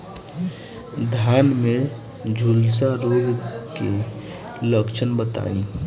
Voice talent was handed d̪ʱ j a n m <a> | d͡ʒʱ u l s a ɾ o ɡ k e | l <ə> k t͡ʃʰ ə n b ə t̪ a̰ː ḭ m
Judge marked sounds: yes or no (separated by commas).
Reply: no, yes